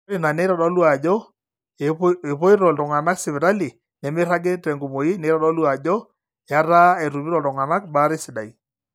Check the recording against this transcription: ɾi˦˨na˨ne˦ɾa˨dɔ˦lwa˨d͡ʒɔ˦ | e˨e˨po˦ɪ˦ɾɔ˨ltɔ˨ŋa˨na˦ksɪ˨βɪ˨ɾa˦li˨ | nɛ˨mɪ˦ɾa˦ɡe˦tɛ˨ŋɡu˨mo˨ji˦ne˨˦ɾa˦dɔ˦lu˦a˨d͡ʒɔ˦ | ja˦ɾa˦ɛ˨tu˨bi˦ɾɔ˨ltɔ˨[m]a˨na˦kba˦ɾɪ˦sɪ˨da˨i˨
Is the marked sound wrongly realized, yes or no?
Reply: yes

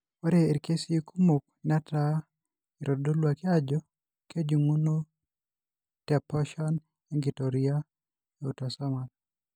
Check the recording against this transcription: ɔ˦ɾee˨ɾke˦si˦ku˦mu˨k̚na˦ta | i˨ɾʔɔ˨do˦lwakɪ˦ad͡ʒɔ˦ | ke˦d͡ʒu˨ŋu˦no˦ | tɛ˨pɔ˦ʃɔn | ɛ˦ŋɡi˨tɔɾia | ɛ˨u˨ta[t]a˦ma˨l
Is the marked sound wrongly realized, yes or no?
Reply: yes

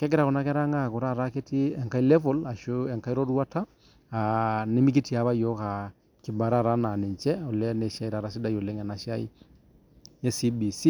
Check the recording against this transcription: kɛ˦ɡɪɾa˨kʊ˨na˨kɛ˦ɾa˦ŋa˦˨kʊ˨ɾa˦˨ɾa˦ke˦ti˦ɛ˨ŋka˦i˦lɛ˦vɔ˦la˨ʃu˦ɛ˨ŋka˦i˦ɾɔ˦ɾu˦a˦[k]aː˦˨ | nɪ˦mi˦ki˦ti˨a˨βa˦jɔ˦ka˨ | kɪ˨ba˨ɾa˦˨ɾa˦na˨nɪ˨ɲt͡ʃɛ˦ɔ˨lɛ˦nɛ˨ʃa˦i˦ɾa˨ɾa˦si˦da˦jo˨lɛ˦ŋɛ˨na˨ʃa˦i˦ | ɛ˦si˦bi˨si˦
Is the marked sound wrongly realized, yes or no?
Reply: yes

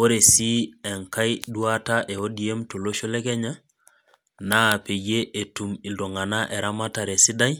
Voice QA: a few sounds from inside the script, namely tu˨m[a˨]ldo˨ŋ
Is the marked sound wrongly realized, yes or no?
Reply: yes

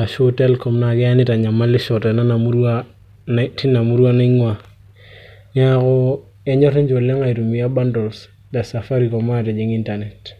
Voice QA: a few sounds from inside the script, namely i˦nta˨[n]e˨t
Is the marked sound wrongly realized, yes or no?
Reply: no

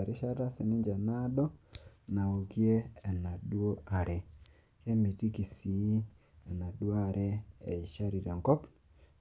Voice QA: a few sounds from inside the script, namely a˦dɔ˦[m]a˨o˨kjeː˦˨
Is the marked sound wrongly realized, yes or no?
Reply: yes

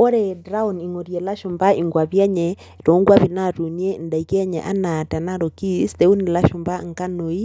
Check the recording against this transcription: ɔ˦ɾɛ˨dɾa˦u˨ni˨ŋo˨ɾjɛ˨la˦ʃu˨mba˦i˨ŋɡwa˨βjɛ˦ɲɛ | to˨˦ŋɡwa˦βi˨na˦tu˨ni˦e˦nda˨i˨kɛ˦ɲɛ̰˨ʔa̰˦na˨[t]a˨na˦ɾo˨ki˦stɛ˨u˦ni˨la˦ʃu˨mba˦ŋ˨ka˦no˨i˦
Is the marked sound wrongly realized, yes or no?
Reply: no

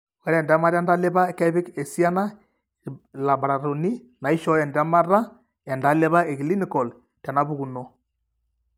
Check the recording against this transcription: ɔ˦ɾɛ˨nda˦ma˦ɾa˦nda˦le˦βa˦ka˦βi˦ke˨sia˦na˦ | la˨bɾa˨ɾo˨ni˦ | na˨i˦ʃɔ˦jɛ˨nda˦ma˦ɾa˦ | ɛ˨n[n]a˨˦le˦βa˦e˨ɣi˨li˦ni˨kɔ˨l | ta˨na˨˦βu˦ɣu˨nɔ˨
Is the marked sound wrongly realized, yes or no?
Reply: yes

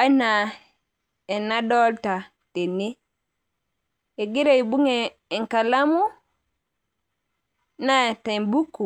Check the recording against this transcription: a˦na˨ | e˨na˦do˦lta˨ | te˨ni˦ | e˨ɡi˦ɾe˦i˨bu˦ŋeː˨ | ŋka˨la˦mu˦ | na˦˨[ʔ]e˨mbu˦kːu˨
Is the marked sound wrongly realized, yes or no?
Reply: yes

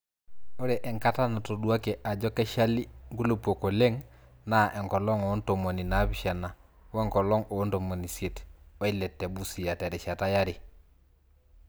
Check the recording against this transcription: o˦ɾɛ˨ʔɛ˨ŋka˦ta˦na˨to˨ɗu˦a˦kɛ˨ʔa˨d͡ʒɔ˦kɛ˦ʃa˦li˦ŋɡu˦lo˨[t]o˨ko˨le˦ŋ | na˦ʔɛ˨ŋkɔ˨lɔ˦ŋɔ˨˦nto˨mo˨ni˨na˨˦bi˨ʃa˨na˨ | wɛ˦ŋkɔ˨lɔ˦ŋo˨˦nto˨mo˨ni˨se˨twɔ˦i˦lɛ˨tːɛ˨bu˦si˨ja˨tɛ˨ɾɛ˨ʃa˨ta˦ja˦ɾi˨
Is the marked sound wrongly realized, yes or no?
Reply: yes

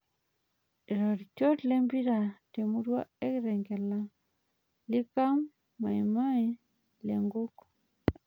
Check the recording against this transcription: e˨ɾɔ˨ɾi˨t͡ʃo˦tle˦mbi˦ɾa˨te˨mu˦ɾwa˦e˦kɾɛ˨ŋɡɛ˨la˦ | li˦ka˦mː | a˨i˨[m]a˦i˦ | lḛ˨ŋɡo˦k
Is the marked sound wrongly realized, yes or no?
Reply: no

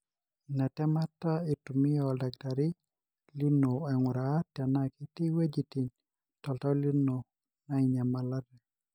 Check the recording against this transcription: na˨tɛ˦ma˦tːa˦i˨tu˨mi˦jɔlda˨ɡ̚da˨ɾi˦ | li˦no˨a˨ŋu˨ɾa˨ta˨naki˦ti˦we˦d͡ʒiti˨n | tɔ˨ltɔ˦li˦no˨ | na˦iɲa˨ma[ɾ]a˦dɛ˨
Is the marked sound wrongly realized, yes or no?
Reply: yes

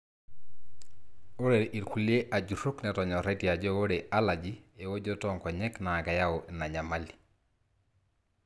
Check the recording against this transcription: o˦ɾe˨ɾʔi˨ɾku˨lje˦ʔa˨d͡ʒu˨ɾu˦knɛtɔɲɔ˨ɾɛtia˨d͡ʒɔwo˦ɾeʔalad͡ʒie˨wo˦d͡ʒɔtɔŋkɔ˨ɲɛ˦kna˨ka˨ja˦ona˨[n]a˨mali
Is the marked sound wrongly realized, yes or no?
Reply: yes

